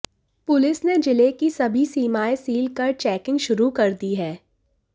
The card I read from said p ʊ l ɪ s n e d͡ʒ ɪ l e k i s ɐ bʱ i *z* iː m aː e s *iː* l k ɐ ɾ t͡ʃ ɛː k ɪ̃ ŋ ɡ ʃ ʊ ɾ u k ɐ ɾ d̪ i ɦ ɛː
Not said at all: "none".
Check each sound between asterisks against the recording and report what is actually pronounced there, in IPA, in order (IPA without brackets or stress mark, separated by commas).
s, iː